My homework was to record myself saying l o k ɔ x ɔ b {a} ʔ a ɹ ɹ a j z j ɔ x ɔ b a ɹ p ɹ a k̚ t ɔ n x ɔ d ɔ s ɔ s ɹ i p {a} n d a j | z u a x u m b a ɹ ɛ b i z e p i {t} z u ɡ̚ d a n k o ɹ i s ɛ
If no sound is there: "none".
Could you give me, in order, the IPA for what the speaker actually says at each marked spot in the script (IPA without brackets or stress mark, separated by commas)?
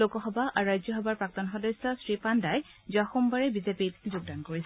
a, a, t